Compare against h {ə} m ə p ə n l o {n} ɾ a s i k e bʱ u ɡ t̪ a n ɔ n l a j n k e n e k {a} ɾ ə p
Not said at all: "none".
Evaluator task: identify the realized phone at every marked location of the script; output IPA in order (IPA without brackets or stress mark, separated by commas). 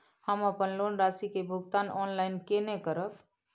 ə, n, ə